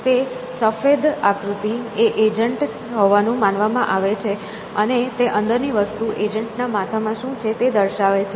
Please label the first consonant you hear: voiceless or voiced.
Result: voiceless